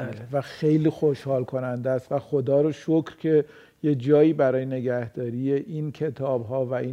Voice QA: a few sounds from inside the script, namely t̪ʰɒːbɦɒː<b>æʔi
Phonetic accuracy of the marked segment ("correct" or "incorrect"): incorrect